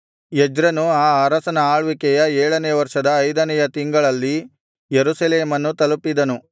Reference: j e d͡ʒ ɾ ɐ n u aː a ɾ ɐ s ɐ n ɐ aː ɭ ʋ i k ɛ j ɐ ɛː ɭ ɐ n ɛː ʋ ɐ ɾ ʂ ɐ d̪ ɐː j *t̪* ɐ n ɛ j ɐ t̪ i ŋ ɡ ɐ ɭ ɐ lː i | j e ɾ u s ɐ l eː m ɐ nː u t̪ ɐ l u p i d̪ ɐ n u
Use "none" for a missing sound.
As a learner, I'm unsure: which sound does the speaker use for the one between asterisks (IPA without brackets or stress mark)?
d̪